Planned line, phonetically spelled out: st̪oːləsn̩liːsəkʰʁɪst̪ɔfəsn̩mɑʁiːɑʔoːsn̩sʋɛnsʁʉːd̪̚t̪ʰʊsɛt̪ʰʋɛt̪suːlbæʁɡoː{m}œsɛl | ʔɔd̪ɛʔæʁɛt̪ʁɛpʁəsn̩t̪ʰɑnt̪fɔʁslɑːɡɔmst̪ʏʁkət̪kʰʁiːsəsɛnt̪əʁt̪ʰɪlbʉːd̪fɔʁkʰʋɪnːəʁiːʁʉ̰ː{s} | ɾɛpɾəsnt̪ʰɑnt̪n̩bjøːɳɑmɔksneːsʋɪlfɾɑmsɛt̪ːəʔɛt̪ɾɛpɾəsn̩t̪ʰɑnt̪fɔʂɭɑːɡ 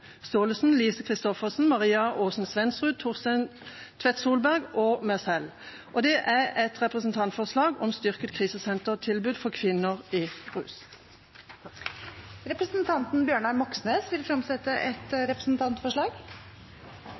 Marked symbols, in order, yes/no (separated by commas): yes, yes